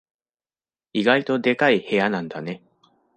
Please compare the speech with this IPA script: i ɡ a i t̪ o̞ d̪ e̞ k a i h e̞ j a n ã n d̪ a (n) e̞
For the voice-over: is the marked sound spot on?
yes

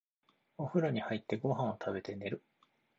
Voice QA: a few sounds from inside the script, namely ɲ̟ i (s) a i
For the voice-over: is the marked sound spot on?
no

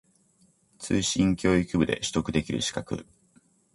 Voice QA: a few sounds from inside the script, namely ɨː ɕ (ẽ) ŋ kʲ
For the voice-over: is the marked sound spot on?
no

